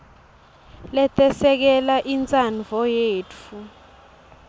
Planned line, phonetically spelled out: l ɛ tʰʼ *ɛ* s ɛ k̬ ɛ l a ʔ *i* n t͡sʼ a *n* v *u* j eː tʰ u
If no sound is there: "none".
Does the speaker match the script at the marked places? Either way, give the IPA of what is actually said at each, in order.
ɛ, i, n, ɔ

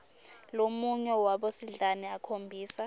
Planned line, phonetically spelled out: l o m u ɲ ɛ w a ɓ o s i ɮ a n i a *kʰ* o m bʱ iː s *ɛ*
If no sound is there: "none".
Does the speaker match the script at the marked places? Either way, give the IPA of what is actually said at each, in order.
kʰ, a

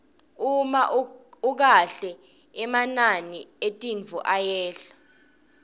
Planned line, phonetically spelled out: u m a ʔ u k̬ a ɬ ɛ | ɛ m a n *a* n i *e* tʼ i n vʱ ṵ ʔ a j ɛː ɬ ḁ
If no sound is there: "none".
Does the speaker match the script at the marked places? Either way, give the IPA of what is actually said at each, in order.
a, e

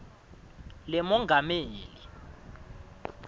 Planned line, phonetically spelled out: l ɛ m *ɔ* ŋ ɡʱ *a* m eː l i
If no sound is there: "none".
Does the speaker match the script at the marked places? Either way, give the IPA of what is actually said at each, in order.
ɔ, a

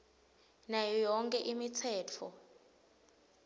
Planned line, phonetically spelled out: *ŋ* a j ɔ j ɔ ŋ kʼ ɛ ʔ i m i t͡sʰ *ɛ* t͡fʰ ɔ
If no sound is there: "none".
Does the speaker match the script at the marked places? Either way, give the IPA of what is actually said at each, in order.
n, ɛː

